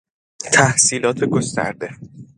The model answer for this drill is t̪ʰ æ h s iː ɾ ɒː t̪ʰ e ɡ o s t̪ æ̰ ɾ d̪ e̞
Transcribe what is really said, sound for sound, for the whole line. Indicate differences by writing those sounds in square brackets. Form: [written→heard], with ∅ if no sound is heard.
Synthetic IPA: t̪ʰ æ h s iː [ɾ→l] ɒː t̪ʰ e ɡ o s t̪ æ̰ ɾ d̪ e̞